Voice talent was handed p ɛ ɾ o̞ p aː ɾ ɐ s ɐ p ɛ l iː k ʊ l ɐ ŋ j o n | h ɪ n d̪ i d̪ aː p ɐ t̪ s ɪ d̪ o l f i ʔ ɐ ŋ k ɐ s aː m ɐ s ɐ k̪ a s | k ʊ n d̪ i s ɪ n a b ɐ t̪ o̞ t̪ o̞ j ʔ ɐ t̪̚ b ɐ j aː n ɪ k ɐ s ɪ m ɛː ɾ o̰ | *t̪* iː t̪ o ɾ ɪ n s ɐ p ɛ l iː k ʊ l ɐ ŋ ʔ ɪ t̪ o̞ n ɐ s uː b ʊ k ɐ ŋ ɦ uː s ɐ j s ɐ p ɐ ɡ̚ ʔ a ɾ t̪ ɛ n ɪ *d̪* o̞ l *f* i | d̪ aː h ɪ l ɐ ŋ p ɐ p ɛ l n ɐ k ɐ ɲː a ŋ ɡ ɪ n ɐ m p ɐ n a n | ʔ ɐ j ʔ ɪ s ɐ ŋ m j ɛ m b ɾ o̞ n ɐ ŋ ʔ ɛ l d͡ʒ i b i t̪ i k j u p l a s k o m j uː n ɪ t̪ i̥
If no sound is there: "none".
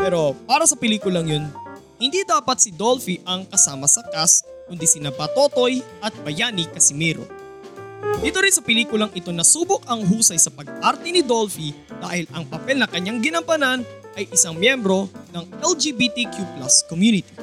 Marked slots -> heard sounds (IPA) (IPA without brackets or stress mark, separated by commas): d̪, d̪, f